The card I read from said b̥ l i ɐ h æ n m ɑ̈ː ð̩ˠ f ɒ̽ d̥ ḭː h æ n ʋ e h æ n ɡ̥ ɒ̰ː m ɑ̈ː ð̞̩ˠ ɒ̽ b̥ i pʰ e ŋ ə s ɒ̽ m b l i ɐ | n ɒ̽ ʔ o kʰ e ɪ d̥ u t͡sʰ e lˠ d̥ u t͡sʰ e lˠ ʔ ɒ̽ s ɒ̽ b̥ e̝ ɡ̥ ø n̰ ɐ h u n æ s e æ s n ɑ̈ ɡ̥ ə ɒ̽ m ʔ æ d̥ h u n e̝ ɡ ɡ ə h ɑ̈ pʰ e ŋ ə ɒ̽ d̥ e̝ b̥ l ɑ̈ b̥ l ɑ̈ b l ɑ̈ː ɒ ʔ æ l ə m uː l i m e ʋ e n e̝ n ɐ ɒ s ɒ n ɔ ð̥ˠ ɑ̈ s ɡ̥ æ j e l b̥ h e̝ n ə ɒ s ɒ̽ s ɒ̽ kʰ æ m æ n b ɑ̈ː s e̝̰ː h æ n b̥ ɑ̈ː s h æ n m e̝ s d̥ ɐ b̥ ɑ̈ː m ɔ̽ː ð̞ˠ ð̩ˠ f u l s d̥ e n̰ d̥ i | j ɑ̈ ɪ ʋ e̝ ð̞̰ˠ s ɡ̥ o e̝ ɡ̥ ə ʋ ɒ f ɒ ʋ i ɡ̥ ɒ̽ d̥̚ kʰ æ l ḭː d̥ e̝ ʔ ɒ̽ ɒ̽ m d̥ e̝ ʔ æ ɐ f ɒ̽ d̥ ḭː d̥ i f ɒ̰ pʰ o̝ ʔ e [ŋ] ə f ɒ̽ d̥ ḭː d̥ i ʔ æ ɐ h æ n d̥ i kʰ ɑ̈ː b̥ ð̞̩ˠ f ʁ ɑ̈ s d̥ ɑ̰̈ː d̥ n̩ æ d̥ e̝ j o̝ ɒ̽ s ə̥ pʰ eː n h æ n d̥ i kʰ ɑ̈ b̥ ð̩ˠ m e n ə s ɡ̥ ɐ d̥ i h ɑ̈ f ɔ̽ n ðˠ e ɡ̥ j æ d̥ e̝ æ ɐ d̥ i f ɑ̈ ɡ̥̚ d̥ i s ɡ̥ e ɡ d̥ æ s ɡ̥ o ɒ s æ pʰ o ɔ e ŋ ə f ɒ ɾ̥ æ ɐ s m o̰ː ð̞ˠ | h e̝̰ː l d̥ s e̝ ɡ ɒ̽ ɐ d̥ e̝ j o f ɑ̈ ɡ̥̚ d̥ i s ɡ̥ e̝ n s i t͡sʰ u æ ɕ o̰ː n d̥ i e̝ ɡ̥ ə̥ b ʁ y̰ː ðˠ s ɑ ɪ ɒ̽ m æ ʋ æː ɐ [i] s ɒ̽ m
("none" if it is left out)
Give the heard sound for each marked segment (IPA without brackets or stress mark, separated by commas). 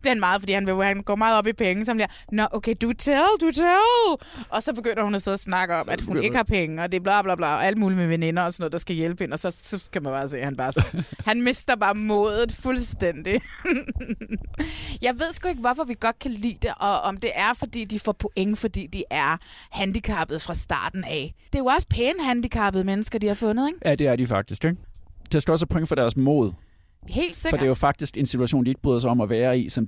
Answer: ŋ, i